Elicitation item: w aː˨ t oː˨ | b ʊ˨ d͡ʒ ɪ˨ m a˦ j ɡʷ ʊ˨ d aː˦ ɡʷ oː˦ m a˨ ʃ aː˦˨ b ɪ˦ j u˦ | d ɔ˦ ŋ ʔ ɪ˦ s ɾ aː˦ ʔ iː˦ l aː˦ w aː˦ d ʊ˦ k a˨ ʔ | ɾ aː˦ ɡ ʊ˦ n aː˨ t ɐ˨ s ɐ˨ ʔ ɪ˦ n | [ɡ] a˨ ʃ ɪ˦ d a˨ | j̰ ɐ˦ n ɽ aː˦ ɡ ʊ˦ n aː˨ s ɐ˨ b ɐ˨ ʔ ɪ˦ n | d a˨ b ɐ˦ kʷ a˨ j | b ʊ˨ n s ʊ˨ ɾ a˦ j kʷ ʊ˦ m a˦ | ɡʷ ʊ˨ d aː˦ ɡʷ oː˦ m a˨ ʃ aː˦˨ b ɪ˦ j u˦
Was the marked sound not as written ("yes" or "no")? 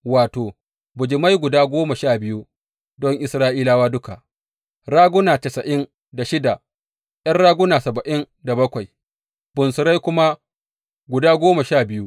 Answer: yes